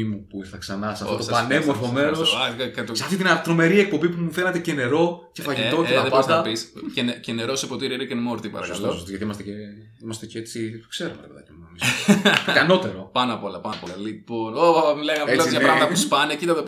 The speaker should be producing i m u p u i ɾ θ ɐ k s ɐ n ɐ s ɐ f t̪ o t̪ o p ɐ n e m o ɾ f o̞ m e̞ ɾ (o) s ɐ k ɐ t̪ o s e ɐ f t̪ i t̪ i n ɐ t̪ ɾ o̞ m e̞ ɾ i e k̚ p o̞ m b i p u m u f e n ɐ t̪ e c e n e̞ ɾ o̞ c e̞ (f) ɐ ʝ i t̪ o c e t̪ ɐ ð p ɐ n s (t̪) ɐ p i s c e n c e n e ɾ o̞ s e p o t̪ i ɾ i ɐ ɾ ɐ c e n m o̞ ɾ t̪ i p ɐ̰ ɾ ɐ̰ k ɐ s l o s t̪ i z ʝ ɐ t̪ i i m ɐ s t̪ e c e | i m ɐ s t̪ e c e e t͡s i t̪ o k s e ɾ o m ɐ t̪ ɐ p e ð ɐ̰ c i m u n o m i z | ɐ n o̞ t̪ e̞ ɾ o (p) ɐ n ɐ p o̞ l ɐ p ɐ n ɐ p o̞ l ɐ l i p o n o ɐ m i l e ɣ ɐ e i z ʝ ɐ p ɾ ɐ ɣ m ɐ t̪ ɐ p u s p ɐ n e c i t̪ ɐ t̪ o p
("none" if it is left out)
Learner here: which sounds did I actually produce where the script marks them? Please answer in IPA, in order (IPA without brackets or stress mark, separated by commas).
o, f, d̪, p